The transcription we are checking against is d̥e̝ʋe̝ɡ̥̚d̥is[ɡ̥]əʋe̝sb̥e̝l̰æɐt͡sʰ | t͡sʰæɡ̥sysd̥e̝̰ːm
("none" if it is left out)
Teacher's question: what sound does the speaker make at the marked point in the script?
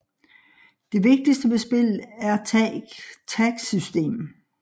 d̥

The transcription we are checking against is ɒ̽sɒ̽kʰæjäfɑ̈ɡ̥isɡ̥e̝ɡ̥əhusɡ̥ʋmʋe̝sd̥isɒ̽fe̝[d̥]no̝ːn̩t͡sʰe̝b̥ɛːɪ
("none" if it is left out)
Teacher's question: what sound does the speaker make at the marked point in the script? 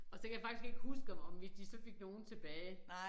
ɡ̥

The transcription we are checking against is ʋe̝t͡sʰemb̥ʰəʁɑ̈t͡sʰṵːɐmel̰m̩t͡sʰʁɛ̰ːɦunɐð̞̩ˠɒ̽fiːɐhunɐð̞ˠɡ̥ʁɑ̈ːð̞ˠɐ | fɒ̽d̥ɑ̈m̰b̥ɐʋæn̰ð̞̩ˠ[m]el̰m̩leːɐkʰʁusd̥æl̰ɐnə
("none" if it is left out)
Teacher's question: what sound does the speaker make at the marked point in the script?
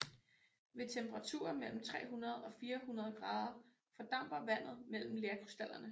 m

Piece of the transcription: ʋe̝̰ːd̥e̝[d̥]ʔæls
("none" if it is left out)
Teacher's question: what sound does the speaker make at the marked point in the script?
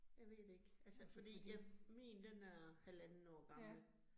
ɡ̥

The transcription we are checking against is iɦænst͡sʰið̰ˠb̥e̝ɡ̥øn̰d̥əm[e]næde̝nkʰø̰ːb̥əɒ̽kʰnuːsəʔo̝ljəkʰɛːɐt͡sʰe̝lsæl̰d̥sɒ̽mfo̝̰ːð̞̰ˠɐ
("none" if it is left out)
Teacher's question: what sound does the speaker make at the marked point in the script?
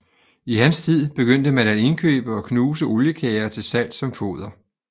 æ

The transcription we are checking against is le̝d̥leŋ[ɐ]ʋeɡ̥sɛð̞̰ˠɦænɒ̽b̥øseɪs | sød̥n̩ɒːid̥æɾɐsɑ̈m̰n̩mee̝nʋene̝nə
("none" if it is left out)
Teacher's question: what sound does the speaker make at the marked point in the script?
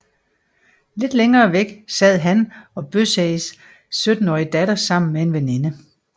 ɐː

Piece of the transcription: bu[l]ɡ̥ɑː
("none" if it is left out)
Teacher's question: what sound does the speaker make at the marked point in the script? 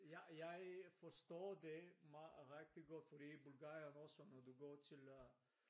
l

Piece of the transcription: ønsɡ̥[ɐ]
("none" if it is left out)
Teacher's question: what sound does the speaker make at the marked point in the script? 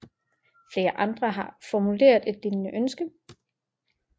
ə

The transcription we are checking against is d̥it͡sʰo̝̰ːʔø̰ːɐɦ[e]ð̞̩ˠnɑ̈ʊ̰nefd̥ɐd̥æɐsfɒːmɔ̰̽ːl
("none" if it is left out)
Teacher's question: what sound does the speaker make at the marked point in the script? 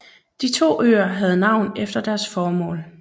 æ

